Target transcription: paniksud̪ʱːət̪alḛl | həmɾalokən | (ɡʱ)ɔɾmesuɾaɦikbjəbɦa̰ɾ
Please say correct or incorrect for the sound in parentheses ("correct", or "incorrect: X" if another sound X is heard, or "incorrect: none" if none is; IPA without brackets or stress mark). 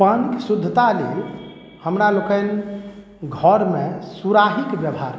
correct